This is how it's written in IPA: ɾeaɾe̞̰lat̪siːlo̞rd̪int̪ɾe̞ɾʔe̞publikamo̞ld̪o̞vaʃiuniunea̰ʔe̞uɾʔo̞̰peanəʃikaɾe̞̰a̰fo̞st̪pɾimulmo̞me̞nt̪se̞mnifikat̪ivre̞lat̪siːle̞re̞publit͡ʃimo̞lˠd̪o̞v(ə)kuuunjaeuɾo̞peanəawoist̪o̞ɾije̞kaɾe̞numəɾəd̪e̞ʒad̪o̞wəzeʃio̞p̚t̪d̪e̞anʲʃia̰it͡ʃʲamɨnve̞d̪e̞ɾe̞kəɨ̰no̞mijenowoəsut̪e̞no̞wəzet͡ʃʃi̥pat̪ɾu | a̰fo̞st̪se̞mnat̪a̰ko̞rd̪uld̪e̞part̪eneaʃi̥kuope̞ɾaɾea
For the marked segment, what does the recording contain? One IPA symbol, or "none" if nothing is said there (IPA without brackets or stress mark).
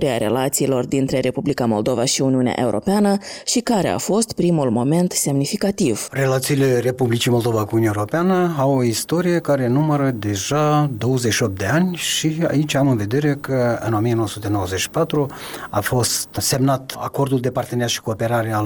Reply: a